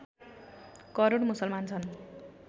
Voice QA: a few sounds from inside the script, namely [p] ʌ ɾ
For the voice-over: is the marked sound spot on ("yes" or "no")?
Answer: no